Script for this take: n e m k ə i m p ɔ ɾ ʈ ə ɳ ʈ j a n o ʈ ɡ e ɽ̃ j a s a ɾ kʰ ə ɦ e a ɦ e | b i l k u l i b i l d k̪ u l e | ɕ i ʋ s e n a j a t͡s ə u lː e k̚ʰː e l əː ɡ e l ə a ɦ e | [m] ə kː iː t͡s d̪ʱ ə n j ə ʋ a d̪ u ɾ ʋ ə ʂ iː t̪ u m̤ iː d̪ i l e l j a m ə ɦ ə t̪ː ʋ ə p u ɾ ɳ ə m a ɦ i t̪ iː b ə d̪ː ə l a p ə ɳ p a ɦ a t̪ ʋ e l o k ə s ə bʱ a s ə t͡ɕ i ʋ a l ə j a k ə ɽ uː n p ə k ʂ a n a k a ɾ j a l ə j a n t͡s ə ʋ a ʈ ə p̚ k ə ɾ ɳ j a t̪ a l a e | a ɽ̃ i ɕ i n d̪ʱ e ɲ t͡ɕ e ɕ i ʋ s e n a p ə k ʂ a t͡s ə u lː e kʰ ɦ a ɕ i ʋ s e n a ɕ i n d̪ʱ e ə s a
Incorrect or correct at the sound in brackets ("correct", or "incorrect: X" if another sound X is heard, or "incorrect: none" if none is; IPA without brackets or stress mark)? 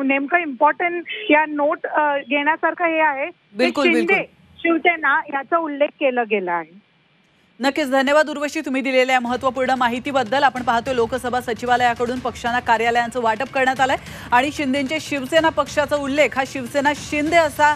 incorrect: n